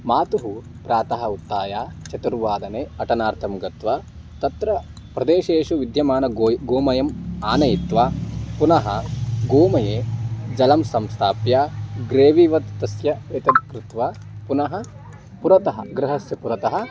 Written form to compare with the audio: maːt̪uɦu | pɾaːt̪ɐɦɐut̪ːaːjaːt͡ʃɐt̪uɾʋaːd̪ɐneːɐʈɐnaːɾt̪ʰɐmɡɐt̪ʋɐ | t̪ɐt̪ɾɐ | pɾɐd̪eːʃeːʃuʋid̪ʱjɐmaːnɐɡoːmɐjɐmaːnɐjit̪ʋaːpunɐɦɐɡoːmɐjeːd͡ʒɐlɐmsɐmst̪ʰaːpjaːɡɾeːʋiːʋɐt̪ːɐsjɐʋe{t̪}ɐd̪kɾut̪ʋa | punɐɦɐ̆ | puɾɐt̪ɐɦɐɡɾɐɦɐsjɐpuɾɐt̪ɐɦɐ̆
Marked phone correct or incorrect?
correct